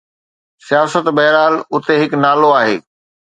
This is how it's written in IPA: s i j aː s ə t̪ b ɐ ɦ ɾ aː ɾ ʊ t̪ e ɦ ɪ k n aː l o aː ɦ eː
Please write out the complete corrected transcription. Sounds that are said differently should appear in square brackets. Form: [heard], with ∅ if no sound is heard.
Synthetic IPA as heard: s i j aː s ə t̪ b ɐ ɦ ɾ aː [l] ʊ t̪ e ɦ ɪ k n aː l o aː ɦ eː